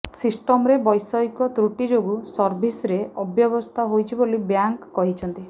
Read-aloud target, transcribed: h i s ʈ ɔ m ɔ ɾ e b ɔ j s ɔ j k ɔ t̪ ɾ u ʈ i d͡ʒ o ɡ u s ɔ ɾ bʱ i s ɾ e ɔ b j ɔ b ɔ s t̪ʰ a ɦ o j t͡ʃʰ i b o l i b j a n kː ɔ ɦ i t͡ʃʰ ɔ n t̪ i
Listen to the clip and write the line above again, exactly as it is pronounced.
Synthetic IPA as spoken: s i s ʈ ɔ m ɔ ɾ e b ɔ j s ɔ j k ɔ t̪ ɾ u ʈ i d͡ʒ o ɡ u s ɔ ɾ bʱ i s ɾ e ɔ b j ɔ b ɔ s t̪ʰ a ɦ o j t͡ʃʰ i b o l i b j a ŋ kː ɔ ɦ i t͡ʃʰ ɔ n t̪ i